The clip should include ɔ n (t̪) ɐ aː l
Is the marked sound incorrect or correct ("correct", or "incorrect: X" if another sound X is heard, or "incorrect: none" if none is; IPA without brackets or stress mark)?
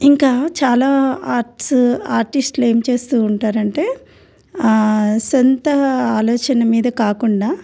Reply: correct